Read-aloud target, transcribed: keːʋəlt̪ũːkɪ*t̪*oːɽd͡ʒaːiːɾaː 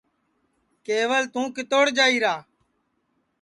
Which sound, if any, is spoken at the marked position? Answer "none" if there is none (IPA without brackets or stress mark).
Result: t̪